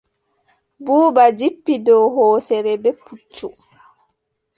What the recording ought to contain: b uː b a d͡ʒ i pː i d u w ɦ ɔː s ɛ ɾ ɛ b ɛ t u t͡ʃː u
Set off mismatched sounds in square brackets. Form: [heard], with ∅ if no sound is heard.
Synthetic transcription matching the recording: b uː b a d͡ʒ i pː i d [ɔ] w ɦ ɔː s ɛ ɾ ɛ b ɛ [p] u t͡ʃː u